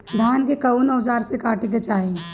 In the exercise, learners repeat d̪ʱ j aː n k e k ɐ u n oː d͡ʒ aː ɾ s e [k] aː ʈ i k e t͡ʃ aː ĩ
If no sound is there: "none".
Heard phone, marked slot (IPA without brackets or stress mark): k